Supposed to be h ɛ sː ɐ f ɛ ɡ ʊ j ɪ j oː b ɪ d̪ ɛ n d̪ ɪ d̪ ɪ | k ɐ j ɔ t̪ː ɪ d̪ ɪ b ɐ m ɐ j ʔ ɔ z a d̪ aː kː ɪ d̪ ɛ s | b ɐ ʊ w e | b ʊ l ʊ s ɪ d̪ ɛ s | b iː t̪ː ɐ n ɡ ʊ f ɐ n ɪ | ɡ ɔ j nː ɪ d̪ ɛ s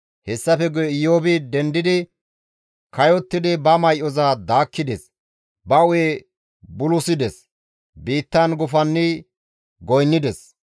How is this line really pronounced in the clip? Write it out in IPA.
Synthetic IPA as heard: h ɛ sː ɐ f ɛ ɡ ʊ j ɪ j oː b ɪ d̪ ɛ n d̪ ɪ d̪ ɪ | k ɐ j ɔ t̪ː ɪ d̪ ɪ b ɐ m ɐ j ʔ ɔ z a d̪ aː kː ɪ d̪ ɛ s | b ɐ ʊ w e | b ʊ l ʊ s ɪ d̪ ɛ s | b iː t̪ː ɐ n ɡ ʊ f ɐ nː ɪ | ɡ ɔ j nː ɪ d̪ ɛ s